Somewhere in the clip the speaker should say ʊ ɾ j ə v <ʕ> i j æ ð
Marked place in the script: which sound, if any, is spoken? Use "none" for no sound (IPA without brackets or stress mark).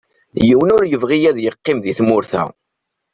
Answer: ʁ